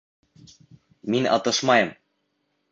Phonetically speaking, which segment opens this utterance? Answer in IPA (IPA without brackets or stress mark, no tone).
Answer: m